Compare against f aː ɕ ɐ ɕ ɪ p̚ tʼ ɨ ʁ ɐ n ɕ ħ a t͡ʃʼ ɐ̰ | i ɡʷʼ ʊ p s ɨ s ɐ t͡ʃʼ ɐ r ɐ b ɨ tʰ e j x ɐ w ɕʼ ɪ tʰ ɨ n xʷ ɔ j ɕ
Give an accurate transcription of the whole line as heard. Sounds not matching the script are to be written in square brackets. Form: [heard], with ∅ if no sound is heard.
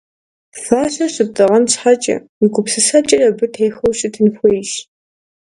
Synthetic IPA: f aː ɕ ɐ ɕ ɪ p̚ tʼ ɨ ʁ ɐ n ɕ ħ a t͡ʃʼ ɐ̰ | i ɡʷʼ ʊ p s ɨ s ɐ t͡ʃʼ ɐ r ɐ b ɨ tʰ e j x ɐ w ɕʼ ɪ tʰ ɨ n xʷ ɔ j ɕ